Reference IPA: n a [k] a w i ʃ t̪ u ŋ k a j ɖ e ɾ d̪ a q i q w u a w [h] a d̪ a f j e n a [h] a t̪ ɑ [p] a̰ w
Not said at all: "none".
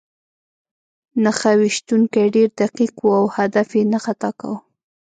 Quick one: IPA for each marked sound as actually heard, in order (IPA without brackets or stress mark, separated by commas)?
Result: x, h, x, k